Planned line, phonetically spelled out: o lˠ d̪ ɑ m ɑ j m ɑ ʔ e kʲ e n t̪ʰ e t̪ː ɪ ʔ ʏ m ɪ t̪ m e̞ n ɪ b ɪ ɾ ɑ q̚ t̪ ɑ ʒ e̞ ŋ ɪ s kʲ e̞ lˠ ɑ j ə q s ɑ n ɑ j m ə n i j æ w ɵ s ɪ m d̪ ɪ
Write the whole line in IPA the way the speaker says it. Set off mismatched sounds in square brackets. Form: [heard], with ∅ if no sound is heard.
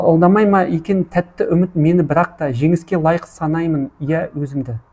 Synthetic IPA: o lˠ d̪ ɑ m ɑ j m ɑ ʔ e kʲ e n t̪ʰ [æ] t̪ː ɪ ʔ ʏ m ɪ t̪ m e̞ n ɪ b ɪ ɾ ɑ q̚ t̪ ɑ ʒ e̞ ŋ ɪ s kʲ e̞ lˠ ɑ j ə q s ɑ n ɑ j m ə n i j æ w ɵ [z] ɪ m d̪ ɪ